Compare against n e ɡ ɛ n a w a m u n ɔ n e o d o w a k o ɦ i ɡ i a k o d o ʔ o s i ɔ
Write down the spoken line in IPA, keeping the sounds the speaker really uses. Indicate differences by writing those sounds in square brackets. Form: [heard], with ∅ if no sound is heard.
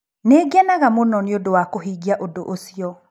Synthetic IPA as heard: n e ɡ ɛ n a [ɣ] a m [o] n ɔ n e o d o w a k o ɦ i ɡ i a [ʔ] o d o ʔ o s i ɔ